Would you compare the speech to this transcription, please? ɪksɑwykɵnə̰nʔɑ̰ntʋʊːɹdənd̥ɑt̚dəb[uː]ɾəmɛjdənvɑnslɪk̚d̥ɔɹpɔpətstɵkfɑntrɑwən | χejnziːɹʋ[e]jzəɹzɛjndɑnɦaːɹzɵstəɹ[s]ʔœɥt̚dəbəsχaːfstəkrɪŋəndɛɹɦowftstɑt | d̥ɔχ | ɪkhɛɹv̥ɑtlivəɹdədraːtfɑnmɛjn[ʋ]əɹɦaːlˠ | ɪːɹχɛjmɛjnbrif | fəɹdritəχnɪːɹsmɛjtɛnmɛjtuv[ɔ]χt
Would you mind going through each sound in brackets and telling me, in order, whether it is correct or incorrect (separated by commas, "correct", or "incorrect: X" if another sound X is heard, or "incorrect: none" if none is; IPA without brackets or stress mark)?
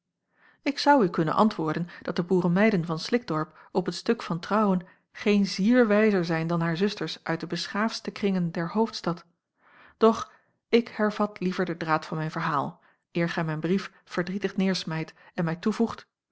correct, incorrect: ɛ, correct, incorrect: v, incorrect: u